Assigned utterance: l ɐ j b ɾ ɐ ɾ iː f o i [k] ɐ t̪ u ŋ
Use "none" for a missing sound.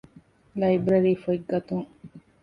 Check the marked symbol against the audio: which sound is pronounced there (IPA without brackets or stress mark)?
ɡ